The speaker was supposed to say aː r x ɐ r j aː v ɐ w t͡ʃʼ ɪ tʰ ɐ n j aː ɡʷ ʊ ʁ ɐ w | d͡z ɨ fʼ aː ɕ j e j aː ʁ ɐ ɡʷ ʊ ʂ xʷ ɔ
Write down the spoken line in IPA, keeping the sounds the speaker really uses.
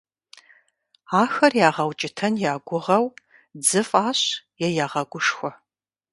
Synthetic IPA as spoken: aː x ɐ r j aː ʁ ɐ w t͡ʃʼ ɪ tʰ ɐ n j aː ɡʷ ʊ ʁ ɐ w | d͡z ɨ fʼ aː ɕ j ɛ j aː ʁ ɐ ɡʷ ʊ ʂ xʷ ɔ

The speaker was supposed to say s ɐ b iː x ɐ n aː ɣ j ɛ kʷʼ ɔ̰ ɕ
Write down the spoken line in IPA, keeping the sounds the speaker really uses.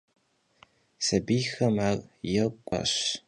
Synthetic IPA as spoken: s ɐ b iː x ɐ m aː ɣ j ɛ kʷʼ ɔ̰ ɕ

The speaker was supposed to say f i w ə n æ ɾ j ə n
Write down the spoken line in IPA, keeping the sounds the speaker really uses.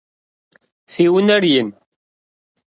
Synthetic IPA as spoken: θ i w ə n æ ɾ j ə n

